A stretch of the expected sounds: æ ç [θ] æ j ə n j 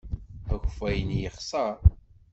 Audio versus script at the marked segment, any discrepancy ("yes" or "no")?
yes